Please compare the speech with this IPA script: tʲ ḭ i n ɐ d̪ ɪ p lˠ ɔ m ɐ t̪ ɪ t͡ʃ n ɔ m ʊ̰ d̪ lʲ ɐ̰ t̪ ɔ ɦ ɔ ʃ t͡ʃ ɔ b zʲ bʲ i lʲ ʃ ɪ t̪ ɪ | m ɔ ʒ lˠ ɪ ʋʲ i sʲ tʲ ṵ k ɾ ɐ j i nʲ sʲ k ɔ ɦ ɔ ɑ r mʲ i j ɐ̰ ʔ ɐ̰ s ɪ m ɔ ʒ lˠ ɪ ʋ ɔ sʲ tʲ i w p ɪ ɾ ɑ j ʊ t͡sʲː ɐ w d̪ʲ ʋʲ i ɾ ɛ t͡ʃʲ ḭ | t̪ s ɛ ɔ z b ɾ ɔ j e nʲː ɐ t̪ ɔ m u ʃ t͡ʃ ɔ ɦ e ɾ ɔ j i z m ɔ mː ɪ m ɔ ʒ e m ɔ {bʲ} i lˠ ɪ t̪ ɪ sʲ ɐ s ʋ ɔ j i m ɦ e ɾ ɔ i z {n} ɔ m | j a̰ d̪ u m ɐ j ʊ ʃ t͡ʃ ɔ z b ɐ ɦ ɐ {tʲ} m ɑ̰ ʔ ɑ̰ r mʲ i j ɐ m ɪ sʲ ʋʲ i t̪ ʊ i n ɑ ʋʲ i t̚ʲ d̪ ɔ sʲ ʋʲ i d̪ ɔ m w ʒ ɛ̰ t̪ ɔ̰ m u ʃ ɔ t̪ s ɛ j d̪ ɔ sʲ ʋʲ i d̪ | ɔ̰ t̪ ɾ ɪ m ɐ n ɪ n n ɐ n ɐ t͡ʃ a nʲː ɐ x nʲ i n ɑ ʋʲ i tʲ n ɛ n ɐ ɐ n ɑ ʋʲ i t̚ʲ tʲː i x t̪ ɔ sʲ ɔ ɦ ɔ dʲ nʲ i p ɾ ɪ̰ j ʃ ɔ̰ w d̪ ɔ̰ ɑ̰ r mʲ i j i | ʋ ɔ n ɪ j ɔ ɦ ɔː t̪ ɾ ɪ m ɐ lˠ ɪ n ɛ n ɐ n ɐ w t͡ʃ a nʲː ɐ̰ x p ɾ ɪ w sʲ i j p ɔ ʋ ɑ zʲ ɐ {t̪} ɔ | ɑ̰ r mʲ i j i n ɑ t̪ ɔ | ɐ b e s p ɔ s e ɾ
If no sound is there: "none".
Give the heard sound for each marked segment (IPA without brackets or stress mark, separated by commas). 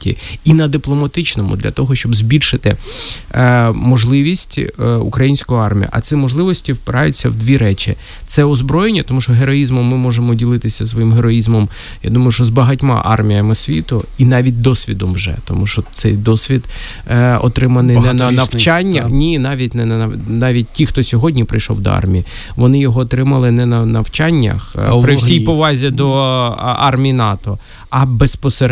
dʲ, m, tʲ, d̪